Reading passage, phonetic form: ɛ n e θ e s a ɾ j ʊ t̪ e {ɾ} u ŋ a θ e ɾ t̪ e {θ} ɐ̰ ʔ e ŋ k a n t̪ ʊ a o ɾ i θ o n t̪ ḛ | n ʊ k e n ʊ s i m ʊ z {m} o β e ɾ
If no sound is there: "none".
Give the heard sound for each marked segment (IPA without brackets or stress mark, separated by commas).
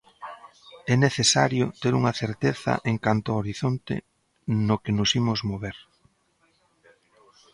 ɾ, θ, m